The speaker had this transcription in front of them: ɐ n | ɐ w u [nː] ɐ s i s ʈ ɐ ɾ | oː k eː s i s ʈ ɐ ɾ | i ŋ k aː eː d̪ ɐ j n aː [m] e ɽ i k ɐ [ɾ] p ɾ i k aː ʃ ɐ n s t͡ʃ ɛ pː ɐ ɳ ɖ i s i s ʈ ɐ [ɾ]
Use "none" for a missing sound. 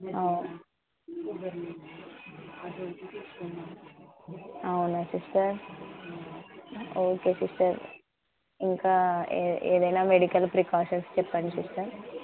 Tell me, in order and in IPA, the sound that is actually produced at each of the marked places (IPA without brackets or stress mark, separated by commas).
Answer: n, m, l, ɾ